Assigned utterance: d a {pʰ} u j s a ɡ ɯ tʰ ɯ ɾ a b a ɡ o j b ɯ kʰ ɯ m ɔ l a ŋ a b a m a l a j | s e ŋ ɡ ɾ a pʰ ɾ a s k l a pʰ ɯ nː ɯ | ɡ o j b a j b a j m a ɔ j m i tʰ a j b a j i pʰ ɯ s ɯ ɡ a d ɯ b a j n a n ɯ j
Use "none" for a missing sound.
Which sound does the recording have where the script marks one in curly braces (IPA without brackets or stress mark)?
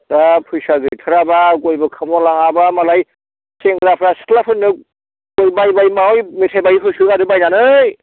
pʰ